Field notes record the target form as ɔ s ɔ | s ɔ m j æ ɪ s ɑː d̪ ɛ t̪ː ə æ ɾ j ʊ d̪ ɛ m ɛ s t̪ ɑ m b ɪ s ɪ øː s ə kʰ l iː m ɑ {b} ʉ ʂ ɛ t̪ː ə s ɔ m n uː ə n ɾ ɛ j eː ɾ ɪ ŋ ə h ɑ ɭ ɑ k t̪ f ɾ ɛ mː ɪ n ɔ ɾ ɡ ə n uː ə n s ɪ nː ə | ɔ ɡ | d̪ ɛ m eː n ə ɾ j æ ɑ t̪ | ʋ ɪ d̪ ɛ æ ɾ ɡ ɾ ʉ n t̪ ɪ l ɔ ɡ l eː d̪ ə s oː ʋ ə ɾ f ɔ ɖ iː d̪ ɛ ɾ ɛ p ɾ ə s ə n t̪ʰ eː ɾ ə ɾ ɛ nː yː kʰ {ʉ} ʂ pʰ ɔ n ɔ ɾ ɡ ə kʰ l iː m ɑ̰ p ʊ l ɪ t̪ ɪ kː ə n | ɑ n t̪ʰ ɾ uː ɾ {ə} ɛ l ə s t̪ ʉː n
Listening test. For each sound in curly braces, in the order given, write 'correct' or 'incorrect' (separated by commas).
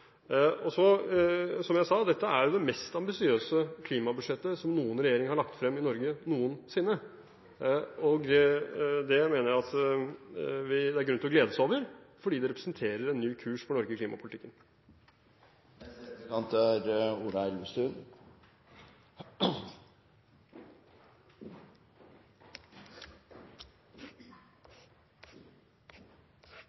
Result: correct, incorrect, incorrect